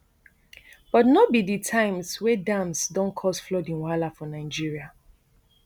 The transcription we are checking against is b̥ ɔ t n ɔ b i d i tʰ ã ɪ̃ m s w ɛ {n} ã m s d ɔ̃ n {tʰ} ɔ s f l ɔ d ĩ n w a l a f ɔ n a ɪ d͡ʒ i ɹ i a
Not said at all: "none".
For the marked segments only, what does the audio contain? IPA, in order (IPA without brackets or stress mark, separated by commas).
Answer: d, kʰ